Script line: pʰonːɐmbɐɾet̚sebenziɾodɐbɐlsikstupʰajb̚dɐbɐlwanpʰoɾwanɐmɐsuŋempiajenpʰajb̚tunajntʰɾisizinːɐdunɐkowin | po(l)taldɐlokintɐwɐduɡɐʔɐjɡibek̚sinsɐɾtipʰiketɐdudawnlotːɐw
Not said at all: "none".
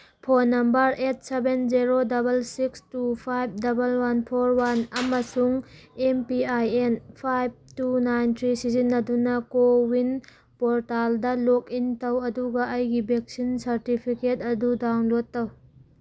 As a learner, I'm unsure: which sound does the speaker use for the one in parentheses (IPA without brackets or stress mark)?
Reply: ɾ